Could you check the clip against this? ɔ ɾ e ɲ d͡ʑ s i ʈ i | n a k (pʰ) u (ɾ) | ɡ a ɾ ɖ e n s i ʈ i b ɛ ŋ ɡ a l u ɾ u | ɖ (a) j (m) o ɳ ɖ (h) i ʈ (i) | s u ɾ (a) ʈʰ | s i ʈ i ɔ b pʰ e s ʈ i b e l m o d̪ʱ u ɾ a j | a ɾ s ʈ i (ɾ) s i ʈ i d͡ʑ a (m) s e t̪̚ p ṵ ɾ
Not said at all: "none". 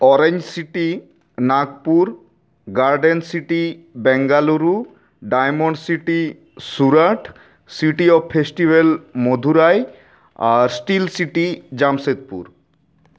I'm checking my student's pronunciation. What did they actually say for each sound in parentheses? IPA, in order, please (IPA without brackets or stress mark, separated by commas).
p, ɾ, a, m, s, i, a, l, m